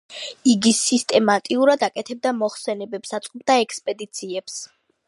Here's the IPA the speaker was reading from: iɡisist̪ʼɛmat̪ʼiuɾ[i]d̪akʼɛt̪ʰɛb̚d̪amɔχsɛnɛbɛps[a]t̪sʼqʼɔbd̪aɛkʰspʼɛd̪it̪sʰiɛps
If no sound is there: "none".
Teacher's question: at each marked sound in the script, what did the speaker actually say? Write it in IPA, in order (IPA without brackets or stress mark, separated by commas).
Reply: a, a